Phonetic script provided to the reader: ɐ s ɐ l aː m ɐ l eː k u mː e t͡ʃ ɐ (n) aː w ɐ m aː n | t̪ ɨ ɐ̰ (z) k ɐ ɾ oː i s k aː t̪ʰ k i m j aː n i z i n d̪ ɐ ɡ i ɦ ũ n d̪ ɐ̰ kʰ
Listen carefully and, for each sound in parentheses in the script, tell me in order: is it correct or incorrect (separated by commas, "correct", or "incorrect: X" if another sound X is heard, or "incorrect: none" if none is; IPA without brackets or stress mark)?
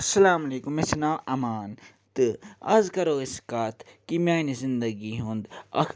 correct, correct